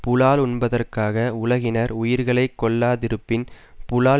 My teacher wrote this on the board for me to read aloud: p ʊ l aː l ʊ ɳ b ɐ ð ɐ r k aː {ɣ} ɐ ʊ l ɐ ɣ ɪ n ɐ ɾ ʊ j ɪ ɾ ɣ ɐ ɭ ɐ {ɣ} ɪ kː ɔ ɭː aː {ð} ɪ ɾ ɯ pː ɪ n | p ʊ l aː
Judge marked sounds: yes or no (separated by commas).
yes, no, yes